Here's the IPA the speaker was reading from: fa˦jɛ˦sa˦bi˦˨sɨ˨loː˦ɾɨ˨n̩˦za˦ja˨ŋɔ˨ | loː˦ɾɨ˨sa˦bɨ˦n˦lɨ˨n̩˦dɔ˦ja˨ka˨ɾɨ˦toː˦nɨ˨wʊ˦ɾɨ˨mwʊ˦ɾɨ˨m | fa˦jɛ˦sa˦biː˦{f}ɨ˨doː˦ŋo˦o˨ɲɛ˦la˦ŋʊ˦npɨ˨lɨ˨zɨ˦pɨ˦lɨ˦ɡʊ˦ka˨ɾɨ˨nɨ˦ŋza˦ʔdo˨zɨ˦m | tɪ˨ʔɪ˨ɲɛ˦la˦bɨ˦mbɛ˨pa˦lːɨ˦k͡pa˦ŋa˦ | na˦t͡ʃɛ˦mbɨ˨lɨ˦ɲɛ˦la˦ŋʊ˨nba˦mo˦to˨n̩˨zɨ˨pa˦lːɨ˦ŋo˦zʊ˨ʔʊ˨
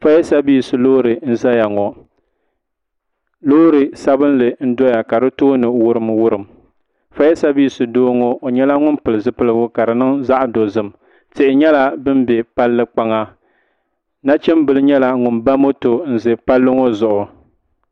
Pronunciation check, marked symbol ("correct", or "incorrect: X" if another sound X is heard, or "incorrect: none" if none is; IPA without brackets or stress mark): incorrect: s